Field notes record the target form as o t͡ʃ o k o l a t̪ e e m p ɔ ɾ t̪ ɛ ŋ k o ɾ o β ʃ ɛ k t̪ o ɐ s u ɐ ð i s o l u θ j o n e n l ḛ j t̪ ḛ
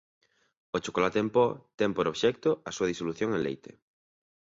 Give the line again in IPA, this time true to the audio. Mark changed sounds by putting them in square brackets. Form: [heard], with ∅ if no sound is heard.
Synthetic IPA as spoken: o t͡ʃ o k o l a t̪ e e m p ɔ [∅] t̪ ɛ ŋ [p] o ɾ o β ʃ ɛ k t̪ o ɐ s u ɐ ð i s o l u θ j o [ŋ] e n l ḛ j t̪ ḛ